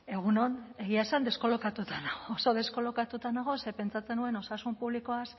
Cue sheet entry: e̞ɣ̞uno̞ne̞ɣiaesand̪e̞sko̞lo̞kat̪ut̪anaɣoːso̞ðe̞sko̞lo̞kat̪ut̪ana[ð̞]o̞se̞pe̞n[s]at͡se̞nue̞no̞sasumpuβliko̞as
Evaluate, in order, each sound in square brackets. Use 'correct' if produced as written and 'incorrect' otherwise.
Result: incorrect, incorrect

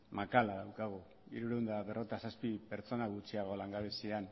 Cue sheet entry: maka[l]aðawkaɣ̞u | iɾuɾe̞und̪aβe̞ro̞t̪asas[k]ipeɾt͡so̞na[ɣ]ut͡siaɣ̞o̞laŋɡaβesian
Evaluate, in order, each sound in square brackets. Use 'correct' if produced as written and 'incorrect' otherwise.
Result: correct, incorrect, correct

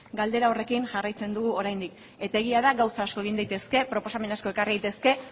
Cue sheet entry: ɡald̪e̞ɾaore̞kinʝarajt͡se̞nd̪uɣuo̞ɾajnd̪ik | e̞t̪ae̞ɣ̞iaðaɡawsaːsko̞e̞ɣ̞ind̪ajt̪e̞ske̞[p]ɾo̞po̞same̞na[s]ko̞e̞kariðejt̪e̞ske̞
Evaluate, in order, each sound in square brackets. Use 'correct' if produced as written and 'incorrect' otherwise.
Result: correct, correct

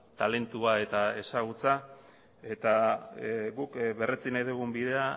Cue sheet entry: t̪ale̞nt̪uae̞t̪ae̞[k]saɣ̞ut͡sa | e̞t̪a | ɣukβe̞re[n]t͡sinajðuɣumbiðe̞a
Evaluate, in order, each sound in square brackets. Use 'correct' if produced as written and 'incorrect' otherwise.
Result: incorrect, incorrect

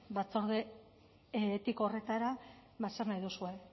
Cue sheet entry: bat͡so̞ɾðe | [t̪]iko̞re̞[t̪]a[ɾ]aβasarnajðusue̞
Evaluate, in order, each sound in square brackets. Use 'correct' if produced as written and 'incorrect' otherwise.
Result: correct, correct, correct

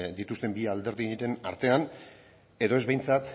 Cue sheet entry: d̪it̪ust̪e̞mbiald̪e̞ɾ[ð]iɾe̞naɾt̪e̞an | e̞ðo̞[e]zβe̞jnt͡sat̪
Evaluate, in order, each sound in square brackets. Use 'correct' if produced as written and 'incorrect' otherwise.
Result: correct, correct

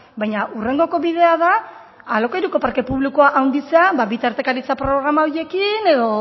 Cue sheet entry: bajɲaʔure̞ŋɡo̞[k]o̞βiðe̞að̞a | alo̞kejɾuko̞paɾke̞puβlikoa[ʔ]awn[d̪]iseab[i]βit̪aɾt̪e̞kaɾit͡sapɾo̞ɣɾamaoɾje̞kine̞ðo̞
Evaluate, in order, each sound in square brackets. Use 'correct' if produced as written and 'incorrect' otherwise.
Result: correct, correct, correct, incorrect

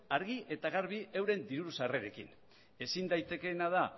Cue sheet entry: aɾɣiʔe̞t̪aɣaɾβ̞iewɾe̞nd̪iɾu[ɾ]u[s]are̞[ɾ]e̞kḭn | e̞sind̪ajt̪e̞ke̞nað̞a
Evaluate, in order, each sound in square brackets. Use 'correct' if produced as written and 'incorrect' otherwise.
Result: correct, correct, correct

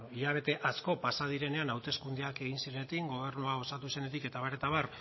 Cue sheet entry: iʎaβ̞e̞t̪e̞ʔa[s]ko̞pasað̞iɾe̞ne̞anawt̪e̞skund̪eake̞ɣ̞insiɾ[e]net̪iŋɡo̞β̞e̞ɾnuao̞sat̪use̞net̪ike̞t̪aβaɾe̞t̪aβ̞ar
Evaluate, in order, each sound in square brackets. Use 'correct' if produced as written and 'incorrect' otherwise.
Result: correct, correct

